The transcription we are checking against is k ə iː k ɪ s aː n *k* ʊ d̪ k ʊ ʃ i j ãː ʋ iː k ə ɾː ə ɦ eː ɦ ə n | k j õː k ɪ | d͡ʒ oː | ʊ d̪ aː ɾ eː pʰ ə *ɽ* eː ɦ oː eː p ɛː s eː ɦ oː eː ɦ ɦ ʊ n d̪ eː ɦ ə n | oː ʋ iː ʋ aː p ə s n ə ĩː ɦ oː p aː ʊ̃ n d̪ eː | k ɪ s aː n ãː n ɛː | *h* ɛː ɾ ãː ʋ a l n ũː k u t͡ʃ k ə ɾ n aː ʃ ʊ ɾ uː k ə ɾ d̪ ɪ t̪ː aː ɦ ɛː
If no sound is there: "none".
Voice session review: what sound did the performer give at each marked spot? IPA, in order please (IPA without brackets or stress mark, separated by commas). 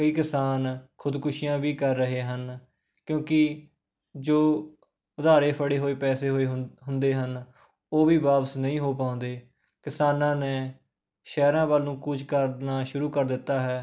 kʰ, ɽ, ʃ